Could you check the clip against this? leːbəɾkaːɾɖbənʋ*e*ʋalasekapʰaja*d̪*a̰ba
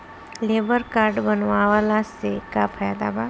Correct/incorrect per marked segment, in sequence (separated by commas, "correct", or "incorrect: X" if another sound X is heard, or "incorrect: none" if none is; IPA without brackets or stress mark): incorrect: a, correct